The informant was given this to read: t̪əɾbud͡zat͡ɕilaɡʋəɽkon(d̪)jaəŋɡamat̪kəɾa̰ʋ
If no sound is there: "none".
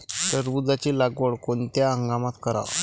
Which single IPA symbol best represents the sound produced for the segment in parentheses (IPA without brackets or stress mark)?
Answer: t̪